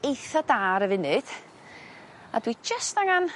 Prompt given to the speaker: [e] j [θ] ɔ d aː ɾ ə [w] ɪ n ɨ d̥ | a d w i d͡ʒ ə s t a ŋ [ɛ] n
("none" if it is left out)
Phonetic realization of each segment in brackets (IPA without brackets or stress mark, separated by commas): e, θ, v, a